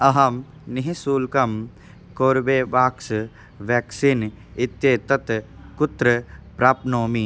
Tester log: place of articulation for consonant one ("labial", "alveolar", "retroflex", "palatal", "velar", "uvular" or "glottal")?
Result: glottal